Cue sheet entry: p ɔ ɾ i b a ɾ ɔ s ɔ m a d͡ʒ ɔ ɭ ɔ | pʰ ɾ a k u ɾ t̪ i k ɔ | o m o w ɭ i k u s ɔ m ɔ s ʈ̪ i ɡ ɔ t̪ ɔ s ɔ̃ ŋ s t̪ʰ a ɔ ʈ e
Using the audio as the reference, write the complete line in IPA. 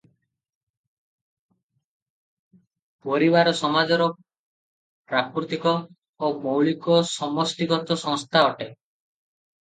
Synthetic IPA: p ɔ ɾ i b a ɾ ɔ s ɔ m a d͡ʒ ɔ ɾ ɔ | p ɾ a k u ɾ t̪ i k ɔ | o m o w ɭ i k ɔ s ɔ m ɔ s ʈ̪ i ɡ ɔ t̪ ɔ s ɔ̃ ŋ s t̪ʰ a ɔ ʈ e